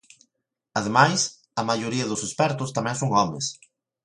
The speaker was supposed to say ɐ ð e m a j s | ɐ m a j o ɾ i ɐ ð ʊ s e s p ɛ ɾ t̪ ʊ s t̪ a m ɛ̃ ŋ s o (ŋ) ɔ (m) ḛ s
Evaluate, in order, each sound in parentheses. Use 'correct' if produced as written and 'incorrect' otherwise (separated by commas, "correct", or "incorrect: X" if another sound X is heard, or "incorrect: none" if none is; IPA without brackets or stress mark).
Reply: correct, correct